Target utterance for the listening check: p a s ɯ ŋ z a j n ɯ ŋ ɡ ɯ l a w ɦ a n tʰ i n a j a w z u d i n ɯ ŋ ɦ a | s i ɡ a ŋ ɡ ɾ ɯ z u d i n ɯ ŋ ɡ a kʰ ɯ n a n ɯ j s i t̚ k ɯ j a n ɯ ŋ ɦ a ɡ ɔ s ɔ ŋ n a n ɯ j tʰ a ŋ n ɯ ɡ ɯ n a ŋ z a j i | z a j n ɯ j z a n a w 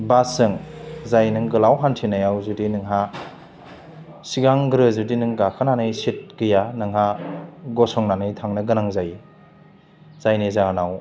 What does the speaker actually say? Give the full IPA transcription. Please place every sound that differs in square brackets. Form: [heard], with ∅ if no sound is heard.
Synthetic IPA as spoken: [b] a s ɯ ŋ z a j n ɯ ŋ ɡ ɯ l a w ɦ a n tʰ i n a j a w z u d i n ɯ ŋ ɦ a | s i ɡ a ŋ ɡ ɾ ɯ z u d i n ɯ ŋ ɡ a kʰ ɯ n a n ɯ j s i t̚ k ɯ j a n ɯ ŋ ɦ a ɡ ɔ s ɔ ŋ n a n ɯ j tʰ a ŋ n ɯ ɡ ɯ n a ŋ z a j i | z a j n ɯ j z a n a w